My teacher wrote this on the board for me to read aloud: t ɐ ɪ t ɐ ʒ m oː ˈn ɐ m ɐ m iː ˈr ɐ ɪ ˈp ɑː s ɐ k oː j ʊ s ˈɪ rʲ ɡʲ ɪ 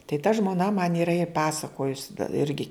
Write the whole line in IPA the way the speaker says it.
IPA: t ɐ ɪ t ɐ ʒ m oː ˈn ɐ m ɐ n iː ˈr ɐ ɪ ˈp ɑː s ɐ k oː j ʊ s ˈɪ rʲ ɡʲ ɪ